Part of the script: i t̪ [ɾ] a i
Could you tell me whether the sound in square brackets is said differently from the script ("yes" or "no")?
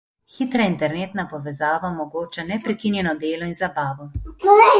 no